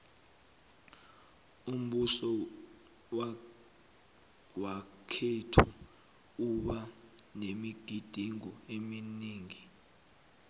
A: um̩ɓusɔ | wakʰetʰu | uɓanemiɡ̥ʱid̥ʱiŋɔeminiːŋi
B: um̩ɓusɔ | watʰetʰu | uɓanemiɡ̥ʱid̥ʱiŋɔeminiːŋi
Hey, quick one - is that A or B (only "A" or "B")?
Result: A